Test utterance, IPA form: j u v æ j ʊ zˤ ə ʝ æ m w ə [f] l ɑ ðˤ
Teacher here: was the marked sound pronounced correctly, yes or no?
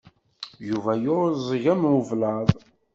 no